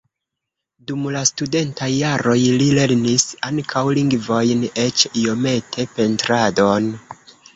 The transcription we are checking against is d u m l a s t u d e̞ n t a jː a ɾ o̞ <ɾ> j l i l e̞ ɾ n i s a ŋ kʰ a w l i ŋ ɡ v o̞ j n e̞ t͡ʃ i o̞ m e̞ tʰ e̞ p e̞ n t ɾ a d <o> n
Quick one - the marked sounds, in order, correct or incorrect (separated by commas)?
incorrect, correct